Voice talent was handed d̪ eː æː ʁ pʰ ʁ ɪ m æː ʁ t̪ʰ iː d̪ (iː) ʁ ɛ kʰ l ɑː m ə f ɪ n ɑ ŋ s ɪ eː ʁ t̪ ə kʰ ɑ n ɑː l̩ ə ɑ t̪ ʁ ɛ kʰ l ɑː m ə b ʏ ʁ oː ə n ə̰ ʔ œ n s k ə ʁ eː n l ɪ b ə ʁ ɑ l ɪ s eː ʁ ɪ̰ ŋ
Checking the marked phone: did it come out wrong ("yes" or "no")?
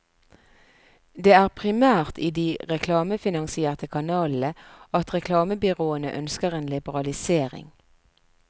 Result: no